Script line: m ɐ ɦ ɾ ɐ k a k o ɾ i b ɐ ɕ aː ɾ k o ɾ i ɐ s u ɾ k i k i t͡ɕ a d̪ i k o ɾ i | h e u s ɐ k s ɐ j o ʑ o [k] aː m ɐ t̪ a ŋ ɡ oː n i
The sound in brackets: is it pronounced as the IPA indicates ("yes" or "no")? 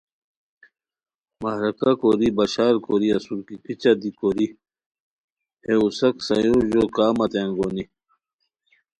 yes